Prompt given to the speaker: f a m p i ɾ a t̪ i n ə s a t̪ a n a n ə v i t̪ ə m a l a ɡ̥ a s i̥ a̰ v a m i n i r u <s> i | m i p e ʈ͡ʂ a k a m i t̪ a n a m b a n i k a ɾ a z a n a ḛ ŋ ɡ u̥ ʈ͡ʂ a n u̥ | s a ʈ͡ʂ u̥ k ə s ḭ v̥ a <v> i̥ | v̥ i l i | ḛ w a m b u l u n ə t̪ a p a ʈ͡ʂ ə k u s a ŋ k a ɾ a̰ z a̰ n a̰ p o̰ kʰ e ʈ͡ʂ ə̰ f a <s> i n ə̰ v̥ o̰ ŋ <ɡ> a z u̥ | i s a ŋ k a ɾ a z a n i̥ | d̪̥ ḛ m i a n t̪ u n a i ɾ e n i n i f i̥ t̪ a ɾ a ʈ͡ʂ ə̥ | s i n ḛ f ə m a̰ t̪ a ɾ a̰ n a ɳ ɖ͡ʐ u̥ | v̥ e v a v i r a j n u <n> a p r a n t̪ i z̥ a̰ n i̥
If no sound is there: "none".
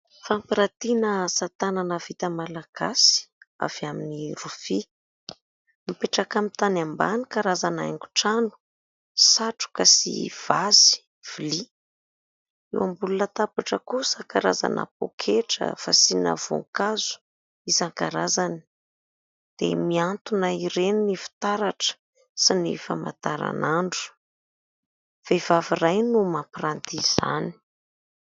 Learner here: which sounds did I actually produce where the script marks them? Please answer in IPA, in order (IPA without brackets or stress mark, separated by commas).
f, z, s, k, m